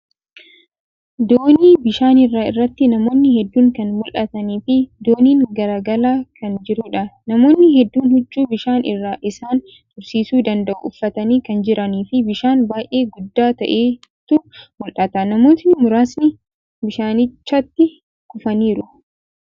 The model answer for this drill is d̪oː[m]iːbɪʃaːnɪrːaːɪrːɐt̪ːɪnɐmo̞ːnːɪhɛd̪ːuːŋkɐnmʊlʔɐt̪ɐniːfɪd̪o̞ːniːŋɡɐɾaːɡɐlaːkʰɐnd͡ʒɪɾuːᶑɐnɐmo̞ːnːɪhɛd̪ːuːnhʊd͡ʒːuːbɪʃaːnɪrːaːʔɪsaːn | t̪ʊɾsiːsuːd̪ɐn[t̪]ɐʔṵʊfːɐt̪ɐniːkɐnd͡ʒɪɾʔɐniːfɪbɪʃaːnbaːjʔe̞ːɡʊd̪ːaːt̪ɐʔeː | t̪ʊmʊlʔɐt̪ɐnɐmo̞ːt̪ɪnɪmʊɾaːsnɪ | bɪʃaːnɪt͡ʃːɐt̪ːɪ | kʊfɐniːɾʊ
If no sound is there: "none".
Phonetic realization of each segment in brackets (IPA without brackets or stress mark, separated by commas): n, d̪